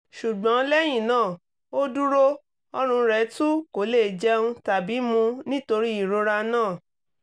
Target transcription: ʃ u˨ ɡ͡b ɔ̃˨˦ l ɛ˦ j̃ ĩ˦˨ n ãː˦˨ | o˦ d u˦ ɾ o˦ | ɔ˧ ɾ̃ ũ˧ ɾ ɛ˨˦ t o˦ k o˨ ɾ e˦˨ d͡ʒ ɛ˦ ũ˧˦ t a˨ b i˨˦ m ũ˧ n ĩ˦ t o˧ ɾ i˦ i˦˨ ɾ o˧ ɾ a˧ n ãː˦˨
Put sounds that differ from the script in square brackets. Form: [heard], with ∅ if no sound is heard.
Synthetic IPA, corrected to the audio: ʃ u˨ ɡ͡b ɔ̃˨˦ l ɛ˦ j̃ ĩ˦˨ n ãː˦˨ | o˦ d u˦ ɾ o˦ | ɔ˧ ɾ̃ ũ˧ ɾ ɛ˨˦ t [u˦] k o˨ [l] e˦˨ d͡ʒ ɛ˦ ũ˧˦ t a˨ b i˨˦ m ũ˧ n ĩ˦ t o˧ ɾ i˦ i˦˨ ɾ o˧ ɾ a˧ n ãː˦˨